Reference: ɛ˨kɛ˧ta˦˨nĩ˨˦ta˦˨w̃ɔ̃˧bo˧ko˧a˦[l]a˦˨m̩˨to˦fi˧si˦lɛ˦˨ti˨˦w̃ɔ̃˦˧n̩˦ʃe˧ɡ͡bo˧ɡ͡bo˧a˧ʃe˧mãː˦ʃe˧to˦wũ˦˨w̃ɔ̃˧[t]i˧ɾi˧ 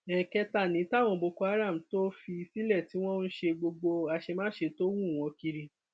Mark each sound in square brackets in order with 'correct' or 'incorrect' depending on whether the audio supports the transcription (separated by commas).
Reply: incorrect, incorrect